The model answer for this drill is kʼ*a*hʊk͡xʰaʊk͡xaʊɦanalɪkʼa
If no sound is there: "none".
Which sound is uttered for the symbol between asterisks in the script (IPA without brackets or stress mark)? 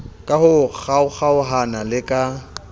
a